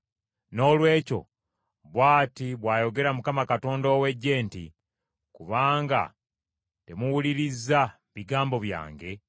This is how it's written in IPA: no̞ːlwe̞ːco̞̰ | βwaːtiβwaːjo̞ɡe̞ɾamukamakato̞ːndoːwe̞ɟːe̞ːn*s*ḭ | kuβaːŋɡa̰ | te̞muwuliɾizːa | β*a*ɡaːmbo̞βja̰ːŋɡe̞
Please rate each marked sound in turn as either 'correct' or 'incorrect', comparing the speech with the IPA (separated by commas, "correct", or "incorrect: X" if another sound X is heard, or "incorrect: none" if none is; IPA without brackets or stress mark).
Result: incorrect: t, incorrect: i